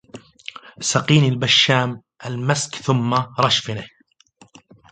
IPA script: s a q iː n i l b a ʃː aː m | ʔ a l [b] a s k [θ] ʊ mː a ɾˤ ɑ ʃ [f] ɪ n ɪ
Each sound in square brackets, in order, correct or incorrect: incorrect, correct, correct

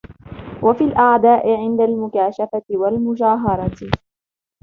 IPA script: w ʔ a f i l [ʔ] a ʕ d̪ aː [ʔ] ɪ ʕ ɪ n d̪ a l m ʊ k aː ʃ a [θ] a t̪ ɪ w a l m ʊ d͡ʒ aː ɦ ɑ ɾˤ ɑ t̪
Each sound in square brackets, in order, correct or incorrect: correct, correct, incorrect

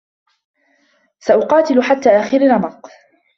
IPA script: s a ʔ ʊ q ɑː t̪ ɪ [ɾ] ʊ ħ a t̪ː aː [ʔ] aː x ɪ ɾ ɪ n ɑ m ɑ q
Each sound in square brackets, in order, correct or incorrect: incorrect, correct

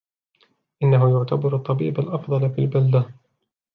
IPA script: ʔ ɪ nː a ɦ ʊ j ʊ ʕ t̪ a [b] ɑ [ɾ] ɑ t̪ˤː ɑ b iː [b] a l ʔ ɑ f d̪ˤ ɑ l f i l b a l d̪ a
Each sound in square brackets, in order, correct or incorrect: correct, correct, correct

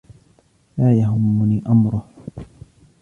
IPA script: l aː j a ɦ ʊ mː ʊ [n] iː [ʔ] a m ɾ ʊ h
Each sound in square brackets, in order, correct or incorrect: correct, correct

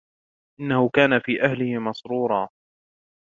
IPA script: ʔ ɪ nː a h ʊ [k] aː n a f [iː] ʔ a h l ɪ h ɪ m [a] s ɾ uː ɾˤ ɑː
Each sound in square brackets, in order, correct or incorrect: correct, correct, incorrect

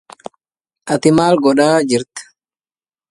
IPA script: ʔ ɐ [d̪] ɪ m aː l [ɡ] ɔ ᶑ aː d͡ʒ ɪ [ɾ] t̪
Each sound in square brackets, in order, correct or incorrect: incorrect, correct, correct

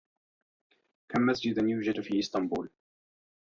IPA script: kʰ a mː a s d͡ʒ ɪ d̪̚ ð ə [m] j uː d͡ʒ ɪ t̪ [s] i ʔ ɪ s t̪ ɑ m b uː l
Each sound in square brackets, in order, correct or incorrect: incorrect, incorrect

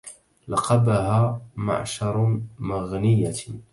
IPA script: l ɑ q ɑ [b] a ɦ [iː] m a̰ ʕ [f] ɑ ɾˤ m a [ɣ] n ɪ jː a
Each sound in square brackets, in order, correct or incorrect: correct, incorrect, incorrect, correct

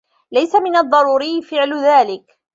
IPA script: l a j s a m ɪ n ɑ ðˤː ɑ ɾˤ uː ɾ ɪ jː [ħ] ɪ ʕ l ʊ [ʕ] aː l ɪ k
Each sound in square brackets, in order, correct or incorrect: incorrect, incorrect

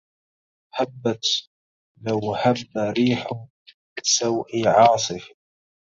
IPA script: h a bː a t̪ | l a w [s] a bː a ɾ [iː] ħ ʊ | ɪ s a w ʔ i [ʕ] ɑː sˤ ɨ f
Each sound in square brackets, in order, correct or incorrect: incorrect, correct, correct

